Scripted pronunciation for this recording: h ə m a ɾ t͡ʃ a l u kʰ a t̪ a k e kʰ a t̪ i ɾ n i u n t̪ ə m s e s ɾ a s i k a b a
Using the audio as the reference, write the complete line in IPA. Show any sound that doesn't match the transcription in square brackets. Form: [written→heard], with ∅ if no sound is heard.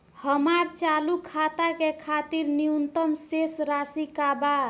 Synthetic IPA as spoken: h ə m a ɾ t͡ʃ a l u kʰ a t̪ a k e kʰ a t̪ i ɾ n i u n t̪ ə m s e s ɾ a s i k a b a